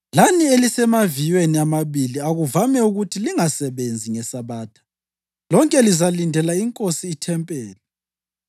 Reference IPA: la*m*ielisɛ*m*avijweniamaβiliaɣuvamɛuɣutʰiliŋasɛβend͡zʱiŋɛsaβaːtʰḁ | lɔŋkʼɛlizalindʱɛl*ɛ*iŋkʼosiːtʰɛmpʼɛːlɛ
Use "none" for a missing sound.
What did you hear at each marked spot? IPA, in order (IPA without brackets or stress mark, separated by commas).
n, m, a